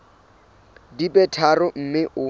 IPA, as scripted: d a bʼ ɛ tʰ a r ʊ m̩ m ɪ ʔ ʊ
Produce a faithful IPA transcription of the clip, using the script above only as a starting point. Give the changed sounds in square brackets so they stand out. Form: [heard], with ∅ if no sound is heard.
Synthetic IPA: d [i] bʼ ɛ tʰ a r ʊ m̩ m ɪ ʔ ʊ